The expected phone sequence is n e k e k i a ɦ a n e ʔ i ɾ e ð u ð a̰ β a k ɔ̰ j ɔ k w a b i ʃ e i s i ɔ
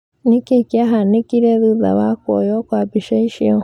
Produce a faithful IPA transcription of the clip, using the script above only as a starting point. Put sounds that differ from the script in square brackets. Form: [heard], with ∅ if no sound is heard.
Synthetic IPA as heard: n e k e k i a ɦ a n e [k] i ɾ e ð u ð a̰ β a k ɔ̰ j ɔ k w a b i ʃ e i [ʃ] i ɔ